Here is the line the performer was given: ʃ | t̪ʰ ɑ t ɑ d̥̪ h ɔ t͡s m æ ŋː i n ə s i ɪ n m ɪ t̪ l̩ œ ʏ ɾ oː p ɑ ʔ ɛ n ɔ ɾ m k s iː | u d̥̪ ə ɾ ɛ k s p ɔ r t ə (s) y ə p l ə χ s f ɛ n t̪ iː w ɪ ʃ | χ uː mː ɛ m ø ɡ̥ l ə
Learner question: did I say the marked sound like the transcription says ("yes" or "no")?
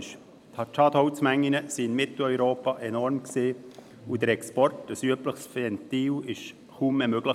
yes